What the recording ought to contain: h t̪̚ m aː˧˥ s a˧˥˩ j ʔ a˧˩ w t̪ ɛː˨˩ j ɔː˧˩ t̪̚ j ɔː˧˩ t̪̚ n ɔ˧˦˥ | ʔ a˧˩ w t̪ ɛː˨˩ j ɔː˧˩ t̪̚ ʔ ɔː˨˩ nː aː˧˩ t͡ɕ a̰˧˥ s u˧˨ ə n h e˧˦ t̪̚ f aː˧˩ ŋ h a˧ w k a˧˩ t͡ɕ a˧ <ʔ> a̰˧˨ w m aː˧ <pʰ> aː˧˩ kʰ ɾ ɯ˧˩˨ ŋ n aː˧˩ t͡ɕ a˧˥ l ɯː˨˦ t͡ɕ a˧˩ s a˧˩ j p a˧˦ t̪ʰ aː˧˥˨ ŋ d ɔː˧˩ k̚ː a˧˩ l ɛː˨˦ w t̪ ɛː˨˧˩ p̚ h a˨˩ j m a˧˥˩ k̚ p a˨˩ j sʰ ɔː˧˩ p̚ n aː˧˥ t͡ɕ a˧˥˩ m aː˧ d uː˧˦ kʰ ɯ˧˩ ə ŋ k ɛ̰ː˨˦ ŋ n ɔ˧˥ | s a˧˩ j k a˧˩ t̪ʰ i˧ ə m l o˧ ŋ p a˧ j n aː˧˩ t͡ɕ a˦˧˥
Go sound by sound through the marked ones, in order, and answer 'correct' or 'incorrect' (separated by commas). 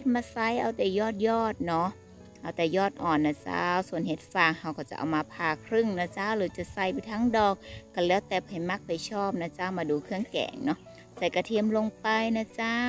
correct, correct